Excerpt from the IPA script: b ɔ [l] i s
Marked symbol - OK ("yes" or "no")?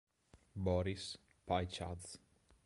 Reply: no